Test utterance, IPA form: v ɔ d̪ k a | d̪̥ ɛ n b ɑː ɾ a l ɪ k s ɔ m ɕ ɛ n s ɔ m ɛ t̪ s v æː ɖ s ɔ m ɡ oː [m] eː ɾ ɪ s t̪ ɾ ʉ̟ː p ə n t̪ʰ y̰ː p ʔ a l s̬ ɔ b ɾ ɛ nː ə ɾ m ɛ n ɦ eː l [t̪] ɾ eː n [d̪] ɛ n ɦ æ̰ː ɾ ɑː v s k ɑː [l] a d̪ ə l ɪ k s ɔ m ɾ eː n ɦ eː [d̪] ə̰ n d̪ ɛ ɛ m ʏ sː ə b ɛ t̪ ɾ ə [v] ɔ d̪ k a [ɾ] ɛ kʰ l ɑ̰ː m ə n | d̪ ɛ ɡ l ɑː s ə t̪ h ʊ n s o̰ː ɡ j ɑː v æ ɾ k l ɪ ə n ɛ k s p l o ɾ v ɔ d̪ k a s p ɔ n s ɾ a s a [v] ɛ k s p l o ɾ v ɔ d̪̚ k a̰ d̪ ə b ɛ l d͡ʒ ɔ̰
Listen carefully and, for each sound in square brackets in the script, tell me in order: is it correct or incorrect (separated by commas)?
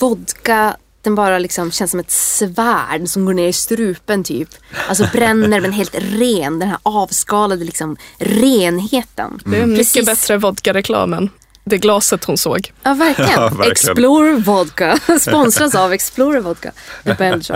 incorrect, correct, correct, correct, incorrect, correct, correct, correct